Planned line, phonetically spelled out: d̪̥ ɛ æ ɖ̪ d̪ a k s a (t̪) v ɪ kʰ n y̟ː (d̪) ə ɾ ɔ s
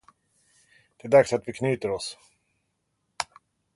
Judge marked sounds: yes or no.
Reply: yes, no

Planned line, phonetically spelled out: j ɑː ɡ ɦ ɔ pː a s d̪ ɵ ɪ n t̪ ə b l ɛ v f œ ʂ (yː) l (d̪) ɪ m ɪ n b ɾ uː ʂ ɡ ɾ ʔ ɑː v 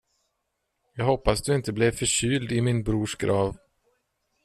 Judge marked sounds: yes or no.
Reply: yes, yes

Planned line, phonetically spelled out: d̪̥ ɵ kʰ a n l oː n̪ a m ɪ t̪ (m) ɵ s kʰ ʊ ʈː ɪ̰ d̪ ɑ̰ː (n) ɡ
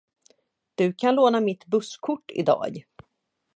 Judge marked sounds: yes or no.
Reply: no, no

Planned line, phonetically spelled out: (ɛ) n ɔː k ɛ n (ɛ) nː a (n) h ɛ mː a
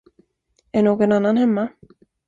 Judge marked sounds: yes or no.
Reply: yes, no, yes

